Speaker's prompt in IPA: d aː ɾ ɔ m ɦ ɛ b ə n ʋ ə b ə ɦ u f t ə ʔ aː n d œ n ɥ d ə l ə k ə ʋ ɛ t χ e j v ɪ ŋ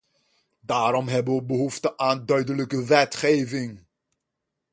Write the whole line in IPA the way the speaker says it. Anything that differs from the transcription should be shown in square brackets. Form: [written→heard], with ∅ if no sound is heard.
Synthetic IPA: d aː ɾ ɔ m ɦ ɛ b ə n ʋ ə b ə ɦ u f t ə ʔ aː n d œ [n→∅] ɥ d ə l ə k ə ʋ ɛ t χ e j v ɪ ŋ